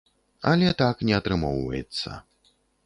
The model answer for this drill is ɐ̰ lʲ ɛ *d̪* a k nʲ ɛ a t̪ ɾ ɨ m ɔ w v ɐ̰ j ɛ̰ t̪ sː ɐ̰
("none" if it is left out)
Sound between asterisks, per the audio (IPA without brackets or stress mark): t̪